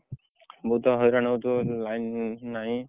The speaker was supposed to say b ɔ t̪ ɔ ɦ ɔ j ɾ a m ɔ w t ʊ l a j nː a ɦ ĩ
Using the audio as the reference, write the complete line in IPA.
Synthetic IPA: b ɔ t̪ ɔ ɦ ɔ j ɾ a n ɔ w t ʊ l a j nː a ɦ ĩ